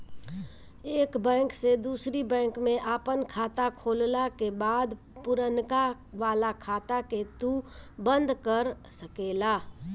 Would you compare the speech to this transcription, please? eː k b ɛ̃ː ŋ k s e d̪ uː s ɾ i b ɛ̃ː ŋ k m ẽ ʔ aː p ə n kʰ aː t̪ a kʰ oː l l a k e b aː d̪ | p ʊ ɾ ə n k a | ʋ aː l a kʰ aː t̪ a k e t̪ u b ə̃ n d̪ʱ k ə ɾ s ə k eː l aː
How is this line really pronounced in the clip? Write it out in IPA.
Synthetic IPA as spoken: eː k b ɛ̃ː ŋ k s e d̪ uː s ɾ i b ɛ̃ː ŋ k m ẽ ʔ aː p ə n kʰ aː t̪ a kʰ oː l l a k e b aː d̪ | p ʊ ɾ ə n k a | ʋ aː l a kʰ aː t̪ a k e t̪ u b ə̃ n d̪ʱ k ə ɾ s ə k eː l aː